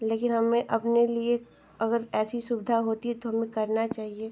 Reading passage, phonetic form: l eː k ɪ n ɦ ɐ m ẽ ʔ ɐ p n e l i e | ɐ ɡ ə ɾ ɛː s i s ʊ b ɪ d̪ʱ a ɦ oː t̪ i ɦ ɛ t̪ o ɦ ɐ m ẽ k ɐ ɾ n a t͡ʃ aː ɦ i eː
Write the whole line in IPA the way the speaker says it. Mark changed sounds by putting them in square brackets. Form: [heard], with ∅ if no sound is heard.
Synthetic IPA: l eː k ɪ n ɦ ɐ m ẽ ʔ ɐ p n e l i e | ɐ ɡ ə ɾ ɛː s i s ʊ b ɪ d̪ʱ a ɦ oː t̪ i ɦ ɛ t̪ o ɦ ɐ m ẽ k ɐ ɾ n a t͡ʃ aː ɦ i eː

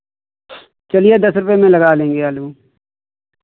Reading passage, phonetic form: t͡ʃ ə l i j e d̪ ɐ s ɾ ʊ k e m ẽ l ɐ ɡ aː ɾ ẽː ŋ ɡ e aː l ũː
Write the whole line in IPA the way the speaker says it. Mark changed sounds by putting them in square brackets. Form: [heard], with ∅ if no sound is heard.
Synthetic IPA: t͡ʃ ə l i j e d̪ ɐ s ɾ ʊ [p] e m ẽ l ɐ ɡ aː [l] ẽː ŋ ɡ e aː l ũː

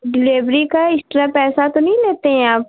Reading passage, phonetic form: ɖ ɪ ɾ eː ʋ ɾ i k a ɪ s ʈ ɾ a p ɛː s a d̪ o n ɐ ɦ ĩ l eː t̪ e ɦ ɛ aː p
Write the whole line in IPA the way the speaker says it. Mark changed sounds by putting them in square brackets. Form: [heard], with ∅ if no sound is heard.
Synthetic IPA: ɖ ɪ [l] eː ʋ ɾ i k a ɪ s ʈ ɾ a p ɛː s a [t̪] o n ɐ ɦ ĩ l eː t̪ e ɦ [ɛ̃] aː p

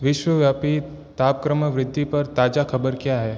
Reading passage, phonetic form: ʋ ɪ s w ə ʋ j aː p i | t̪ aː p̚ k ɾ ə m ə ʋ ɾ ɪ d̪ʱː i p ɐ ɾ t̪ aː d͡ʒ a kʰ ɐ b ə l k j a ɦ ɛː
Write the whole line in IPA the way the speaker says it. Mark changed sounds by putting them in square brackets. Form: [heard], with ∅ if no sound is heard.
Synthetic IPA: ʋ ɪ [ʃ] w ə ʋ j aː p i | t̪ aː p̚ k ɾ ə m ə ʋ ɾ ɪ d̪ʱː i p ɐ ɾ t̪ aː d͡ʒ a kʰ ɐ b ə [ɾ] k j a ɦ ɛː

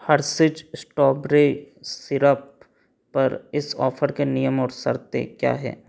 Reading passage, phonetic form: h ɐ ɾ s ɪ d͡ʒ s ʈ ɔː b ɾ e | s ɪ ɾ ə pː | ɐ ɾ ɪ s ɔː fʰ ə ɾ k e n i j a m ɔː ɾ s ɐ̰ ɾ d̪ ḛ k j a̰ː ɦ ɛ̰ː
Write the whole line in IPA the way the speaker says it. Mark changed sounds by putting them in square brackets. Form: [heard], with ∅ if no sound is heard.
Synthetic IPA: h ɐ ɾ s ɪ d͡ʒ s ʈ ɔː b ɾ e | s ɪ ɾ ə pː | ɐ ɾ ɪ s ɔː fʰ ə ɾ k e n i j [ə] m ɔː ɾ s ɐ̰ ɾ [t̪] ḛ k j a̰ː ɦ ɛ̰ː

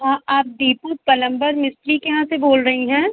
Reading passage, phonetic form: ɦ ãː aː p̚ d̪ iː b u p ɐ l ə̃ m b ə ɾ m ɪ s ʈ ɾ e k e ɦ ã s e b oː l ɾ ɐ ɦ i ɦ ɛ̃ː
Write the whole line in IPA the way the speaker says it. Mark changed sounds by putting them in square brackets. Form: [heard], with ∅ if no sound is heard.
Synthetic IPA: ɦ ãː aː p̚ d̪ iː [p] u p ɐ l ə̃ m b ə ɾ m ɪ s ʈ ɾ [i] k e ɦ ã s e b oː l ɾ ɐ ɦ i ɦ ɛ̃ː

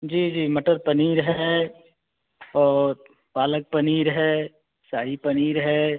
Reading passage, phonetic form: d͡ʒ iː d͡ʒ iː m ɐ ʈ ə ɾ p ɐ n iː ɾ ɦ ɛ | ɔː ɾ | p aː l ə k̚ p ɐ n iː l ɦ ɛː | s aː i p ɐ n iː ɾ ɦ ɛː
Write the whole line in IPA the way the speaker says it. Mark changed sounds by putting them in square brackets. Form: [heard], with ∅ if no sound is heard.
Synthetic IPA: d͡ʒ iː d͡ʒ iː m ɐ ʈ ə ɾ p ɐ n iː ɾ ɦ ɛ | ɔː ɾ | p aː l ə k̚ p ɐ n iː [ɾ] ɦ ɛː | s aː i p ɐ n iː ɾ ɦ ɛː

